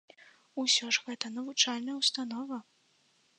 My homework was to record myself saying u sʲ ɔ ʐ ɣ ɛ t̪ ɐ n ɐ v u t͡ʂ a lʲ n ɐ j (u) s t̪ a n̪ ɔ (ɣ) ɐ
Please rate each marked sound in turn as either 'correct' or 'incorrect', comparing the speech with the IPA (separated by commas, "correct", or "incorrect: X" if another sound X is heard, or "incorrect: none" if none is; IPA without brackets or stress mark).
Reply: incorrect: w, incorrect: v